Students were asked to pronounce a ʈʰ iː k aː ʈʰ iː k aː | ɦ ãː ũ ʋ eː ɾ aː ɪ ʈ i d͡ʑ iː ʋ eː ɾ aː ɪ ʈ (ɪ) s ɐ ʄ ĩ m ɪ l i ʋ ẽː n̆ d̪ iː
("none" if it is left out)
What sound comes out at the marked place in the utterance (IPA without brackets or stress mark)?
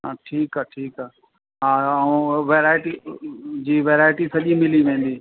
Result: i